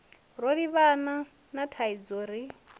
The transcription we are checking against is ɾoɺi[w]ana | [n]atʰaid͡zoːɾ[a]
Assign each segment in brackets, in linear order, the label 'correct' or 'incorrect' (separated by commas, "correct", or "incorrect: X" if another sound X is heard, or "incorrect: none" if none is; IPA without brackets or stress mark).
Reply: incorrect: β, correct, incorrect: i